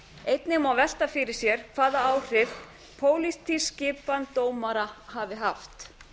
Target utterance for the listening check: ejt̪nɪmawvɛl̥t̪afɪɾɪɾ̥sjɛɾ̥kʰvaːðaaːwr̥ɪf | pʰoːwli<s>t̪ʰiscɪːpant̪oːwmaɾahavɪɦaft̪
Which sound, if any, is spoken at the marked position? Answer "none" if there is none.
s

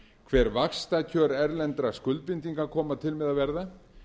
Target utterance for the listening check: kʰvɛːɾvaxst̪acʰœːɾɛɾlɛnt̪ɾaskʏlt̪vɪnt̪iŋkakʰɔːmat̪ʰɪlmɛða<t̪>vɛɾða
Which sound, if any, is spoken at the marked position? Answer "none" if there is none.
none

